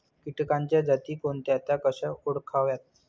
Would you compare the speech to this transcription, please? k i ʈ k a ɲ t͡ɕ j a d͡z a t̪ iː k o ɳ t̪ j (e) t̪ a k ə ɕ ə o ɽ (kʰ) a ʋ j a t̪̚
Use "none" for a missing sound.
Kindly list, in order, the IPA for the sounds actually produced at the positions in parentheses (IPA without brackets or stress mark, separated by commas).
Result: a, kʰ